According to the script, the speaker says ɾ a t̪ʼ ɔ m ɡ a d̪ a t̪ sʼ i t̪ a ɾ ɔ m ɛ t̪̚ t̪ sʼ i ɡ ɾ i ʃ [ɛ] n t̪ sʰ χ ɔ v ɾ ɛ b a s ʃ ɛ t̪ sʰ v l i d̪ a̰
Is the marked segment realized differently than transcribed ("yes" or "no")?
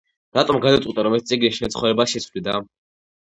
no